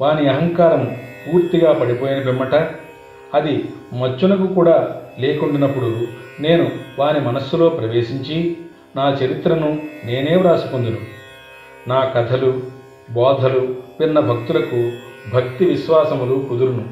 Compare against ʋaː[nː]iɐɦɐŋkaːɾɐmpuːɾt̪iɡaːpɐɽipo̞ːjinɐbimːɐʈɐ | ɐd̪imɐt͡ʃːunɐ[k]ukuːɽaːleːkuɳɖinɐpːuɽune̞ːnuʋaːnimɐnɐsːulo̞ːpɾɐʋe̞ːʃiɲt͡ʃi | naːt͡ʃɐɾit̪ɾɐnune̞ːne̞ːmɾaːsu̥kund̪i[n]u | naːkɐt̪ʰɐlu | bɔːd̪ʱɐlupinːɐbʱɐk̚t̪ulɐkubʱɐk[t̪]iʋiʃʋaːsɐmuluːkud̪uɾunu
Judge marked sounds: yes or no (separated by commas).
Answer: no, yes, yes, yes